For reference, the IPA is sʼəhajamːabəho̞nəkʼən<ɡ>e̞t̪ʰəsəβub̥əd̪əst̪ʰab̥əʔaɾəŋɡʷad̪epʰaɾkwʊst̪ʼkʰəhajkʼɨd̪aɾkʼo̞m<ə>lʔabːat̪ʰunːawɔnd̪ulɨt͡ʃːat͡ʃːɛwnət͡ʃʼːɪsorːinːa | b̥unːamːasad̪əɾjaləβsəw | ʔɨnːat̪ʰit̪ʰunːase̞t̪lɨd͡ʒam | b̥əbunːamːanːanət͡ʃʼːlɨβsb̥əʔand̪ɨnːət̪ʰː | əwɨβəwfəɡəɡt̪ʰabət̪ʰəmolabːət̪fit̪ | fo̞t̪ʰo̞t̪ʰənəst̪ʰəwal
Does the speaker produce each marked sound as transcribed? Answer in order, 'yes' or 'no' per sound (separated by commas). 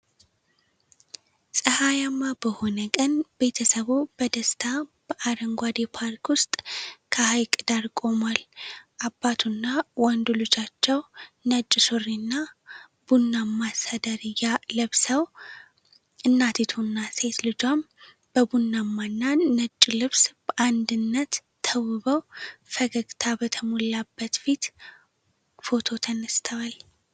no, no